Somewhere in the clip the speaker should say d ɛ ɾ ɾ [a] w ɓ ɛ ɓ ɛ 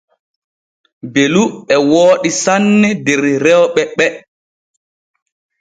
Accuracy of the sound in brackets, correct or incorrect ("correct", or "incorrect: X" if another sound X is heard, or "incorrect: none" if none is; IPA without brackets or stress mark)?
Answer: incorrect: ɛ